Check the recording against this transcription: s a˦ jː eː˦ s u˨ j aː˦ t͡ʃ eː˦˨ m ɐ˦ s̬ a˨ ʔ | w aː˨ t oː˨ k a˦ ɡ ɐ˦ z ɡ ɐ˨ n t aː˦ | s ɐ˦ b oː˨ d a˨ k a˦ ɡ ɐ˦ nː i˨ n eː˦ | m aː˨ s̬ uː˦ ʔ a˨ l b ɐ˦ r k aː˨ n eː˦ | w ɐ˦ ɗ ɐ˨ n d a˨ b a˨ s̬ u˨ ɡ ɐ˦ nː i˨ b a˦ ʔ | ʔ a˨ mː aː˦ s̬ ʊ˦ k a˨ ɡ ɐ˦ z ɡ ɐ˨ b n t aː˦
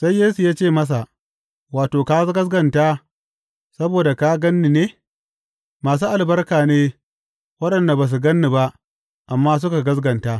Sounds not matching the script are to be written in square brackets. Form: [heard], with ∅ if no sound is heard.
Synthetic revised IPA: s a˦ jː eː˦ s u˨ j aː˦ t͡ʃ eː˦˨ m ɐ˦ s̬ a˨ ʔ | w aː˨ t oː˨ k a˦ ɡ ɐ˦ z ɡ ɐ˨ n t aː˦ | s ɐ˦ b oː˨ d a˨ k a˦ ɡ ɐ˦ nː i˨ n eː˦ | m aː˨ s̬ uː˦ ʔ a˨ l b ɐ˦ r k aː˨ n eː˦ | w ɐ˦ ɗ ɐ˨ n d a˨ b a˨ s̬ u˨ ɡ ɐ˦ nː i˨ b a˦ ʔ | ʔ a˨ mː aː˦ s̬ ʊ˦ k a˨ ɡ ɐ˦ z ɡ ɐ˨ [∅] n t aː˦

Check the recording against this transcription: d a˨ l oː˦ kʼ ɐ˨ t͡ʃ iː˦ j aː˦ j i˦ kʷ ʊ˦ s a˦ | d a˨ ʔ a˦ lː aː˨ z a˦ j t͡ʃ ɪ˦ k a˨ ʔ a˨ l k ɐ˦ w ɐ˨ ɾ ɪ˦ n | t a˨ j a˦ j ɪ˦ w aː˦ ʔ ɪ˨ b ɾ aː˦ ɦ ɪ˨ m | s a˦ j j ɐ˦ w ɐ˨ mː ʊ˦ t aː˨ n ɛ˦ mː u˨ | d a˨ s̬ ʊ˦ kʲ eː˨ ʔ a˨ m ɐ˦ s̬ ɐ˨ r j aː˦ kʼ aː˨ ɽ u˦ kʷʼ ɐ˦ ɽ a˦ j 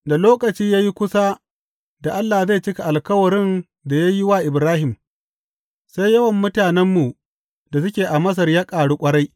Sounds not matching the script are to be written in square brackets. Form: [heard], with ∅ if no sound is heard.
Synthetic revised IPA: d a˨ l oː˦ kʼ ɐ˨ t͡ʃ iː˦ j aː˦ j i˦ kʷ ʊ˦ s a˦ | d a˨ ʔ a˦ lː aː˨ z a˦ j t͡ʃ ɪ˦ k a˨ ʔ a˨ l k ɐ˦ w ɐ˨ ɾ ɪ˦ n | [d] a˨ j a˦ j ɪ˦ w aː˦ ʔ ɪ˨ b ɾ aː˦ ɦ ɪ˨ m | s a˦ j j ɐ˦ w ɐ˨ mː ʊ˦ t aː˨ n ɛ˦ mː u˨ | d a˨ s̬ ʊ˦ kʲ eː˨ ʔ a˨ m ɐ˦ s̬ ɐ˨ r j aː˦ kʼ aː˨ ɽ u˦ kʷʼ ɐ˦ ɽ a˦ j

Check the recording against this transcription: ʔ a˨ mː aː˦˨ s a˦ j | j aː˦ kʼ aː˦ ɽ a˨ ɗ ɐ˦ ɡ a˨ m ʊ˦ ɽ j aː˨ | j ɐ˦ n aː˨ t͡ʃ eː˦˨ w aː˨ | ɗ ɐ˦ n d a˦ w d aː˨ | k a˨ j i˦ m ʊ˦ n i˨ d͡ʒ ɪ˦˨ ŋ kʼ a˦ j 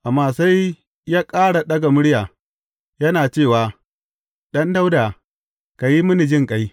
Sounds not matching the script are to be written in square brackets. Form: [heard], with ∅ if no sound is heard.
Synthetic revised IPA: ʔ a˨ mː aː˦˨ s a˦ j | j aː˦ kʼ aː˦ ɽ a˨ ɗ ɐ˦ ɡ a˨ m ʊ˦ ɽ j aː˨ | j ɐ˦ n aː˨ t͡ʃ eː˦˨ w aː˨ | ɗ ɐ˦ n d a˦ w d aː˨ | k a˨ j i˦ m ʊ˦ n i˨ d͡ʒ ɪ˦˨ ŋ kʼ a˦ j

